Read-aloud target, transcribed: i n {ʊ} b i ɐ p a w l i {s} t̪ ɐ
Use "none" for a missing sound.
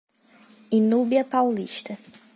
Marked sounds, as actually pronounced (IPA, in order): u, ʃ

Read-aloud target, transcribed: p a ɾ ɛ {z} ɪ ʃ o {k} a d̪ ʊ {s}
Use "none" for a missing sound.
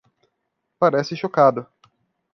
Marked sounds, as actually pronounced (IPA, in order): s, k, none

